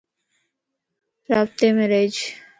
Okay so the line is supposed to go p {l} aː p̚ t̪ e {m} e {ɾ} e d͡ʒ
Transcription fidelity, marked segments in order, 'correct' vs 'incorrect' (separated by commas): incorrect, correct, correct